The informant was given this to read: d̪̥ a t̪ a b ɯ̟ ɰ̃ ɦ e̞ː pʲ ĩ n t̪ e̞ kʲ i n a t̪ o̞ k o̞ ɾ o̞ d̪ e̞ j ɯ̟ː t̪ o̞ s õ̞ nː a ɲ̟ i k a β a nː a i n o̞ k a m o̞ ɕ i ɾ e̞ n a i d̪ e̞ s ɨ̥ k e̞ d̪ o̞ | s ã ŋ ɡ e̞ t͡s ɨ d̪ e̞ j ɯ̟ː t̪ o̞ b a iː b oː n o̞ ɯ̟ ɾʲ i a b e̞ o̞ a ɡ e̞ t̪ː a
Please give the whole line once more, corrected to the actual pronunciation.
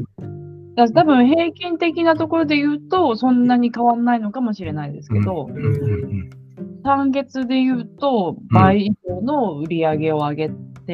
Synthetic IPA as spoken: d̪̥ a t̪ a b ɯ̟̃ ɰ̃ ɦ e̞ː kʲ ĩ n t̪ e̞ kʲ i n a t̪ o̞ k o̞ ɾ o̞ d̪ e̞ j ɯ̟ː t̪ o̞ s õ̞ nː a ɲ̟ i k a β a nː a i n o̞ k a m o̞ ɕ i ɾ e̞ n a i d̪ e̞ s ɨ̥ k e̞ d̪ o̞ | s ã ŋ ɡ e̞ t͡s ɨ d̪ e̞ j ɯ̟ː t̪ o̞ b a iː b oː n o̞ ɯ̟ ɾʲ i a ɡ e̞ o̞ a ɡ e̞ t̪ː e